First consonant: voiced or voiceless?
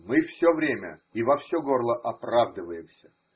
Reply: voiced